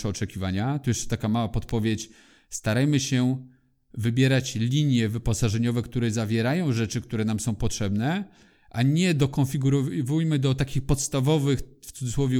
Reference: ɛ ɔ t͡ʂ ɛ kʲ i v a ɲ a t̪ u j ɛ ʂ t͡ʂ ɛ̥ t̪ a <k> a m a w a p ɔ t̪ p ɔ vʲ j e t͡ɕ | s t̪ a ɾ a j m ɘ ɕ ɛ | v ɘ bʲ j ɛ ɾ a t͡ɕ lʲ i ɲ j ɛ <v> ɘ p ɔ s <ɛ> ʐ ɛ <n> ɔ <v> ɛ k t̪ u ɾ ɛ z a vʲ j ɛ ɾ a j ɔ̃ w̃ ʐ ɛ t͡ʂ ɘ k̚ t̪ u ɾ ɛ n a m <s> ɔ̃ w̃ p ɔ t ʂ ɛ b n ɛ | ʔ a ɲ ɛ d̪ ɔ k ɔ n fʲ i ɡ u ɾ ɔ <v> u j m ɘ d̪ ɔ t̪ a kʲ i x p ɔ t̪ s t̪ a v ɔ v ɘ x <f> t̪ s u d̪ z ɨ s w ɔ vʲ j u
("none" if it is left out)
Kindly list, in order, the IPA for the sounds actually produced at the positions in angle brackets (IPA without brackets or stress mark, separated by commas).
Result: k, v, a, ɲ, v, s, v, f